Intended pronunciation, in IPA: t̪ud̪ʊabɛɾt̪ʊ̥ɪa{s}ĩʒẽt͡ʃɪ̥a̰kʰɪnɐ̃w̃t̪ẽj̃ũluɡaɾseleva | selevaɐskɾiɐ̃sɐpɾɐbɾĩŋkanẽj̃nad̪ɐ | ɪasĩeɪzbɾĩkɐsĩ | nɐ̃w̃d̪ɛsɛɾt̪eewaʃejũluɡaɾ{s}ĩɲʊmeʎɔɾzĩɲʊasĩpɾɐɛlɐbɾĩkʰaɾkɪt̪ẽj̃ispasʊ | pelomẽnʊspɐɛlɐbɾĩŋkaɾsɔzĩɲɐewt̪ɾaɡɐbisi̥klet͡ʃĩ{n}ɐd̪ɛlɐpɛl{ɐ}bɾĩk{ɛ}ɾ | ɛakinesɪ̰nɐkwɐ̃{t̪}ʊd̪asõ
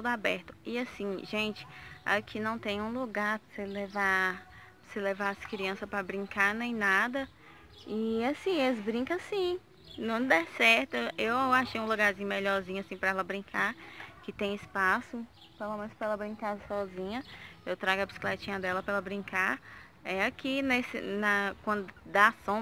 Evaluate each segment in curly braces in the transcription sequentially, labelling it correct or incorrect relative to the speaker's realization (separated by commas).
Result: correct, incorrect, incorrect, correct, incorrect, incorrect